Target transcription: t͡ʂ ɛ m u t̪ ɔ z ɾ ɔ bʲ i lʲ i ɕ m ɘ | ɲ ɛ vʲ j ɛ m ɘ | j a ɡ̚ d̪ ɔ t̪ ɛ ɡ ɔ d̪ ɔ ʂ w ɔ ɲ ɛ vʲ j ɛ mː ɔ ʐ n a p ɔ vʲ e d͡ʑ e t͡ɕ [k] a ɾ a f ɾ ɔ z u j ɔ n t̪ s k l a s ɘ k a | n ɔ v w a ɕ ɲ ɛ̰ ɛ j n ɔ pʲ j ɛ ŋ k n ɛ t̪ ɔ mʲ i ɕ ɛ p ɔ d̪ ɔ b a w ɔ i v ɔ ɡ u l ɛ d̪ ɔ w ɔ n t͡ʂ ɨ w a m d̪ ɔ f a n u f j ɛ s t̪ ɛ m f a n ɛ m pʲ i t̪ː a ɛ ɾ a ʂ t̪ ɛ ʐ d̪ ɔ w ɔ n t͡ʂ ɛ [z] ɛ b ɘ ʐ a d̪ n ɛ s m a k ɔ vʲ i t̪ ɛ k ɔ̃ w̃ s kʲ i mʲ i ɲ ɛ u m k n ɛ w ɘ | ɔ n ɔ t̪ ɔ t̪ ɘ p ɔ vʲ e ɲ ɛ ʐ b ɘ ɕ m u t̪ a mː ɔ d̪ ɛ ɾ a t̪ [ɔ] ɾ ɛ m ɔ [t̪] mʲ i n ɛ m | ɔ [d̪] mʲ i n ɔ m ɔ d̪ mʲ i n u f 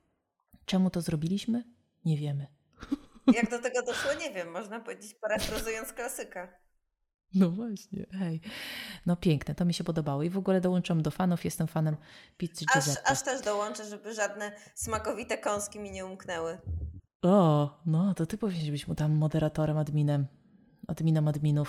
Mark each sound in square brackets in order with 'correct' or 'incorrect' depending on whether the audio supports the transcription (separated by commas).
incorrect, incorrect, correct, incorrect, correct